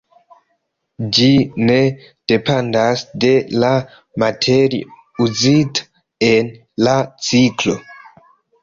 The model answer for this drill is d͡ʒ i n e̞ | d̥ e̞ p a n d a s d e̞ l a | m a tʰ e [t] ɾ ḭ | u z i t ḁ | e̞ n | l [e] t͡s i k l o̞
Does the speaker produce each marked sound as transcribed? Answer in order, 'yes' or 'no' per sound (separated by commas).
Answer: no, no